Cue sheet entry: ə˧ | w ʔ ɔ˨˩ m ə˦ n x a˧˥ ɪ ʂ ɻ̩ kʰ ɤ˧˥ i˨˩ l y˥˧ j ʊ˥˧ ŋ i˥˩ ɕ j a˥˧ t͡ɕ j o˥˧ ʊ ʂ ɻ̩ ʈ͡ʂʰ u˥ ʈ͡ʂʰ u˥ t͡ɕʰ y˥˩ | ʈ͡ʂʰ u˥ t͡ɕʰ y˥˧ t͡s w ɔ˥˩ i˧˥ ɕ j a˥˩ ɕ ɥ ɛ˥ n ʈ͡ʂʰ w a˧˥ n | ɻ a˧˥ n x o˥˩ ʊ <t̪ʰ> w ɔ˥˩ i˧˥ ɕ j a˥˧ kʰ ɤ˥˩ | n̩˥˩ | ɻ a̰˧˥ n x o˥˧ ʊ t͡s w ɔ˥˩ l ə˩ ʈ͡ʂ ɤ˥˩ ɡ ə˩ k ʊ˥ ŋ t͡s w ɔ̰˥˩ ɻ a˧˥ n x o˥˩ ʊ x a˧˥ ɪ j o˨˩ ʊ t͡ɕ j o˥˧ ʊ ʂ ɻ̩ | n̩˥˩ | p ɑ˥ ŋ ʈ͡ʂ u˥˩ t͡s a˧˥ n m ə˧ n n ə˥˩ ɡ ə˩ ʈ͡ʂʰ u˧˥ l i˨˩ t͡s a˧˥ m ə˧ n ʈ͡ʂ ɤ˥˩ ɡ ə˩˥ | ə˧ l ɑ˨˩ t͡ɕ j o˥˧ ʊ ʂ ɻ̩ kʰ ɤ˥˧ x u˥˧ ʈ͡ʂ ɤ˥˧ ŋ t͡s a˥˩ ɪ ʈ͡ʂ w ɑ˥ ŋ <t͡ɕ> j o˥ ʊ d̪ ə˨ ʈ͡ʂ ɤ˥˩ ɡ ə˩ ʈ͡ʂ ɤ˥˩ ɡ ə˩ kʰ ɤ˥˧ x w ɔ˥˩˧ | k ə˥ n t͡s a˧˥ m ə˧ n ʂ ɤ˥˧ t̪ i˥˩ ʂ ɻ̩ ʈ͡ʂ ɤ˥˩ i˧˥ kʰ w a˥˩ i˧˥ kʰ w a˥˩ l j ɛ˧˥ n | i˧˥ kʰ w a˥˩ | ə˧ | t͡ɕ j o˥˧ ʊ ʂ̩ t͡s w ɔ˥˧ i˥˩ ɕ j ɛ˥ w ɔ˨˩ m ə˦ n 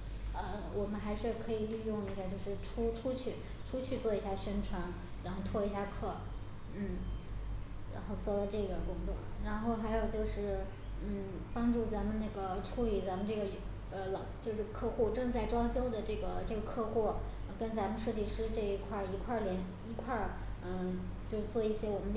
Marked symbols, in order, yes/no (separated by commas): yes, yes